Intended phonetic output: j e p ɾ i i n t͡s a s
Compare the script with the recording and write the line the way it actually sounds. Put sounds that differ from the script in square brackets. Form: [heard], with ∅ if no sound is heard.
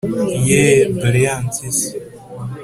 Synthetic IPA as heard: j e [b] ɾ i [a] n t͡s [i] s